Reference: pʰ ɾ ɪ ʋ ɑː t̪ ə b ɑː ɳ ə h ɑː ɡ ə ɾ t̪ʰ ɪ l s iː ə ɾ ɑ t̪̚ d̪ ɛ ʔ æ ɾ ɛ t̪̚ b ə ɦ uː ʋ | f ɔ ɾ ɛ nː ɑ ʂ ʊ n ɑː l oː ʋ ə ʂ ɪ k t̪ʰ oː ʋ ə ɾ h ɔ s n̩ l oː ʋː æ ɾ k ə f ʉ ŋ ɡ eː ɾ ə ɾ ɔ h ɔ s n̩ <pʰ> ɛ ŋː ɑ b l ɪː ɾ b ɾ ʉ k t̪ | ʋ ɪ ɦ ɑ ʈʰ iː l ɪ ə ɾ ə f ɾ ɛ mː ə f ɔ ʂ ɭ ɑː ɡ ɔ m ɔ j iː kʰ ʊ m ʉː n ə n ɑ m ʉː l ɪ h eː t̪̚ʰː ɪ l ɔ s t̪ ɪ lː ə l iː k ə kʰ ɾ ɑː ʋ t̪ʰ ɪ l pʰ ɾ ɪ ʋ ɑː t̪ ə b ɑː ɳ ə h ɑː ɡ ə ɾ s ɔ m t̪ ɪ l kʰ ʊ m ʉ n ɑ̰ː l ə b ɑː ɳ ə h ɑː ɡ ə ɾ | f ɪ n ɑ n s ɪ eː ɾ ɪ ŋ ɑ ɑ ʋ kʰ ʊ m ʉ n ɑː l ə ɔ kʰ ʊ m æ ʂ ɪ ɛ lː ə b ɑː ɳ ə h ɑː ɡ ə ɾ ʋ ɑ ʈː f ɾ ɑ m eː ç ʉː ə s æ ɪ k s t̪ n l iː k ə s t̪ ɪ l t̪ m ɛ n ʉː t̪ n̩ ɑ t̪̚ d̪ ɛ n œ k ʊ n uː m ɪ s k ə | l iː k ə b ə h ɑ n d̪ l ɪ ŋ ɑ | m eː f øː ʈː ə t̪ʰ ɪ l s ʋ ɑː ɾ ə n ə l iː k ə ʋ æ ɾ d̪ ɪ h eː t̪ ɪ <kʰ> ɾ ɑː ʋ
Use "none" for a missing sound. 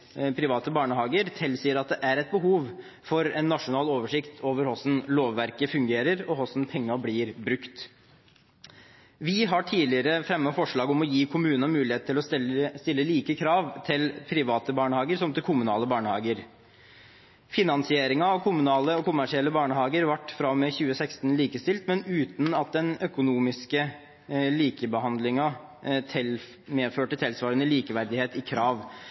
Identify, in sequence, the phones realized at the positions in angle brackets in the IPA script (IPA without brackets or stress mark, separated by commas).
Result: pʰ, kʰ